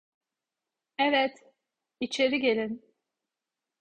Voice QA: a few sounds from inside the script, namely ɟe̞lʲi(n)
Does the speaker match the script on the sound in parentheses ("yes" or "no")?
yes